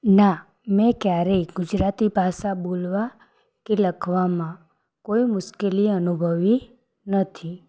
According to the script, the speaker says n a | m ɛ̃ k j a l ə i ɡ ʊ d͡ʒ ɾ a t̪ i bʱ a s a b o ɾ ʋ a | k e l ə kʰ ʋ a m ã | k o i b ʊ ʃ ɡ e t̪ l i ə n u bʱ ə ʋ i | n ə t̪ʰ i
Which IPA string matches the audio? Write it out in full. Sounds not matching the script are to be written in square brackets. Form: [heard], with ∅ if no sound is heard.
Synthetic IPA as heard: n a | m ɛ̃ k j a [ɾ] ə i ɡ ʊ d͡ʒ ɾ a t̪ i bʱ a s a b o [l] ʋ a | k e l ə kʰ ʋ a m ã | k o i [m] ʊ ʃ [k] e [∅] l i ə n u bʱ ə ʋ i | n ə t̪ʰ i